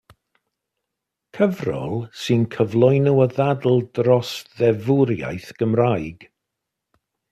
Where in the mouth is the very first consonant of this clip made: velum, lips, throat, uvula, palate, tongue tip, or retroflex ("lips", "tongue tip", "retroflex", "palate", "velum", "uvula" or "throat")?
velum